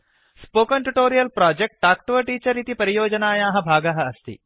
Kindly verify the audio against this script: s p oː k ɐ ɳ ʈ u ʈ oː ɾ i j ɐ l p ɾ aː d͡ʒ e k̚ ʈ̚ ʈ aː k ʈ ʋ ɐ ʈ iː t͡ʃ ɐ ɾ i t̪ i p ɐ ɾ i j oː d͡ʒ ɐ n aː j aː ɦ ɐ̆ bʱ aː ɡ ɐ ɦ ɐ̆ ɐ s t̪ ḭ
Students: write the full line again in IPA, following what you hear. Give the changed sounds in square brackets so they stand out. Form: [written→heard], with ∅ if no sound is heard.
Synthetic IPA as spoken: s p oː k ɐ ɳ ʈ u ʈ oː ɾ i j ɐ l p ɾ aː d͡ʒ e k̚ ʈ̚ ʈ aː k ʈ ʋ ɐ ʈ iː t͡ʃ ɐ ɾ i t̪ i p ɐ ɾ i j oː d͡ʒ ɐ n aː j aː ɦ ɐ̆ bʱ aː ɡ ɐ ɦ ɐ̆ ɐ s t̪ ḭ